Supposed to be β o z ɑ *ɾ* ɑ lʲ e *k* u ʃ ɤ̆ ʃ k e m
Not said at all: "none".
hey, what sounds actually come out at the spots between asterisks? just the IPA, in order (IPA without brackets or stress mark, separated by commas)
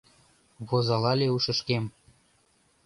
l, none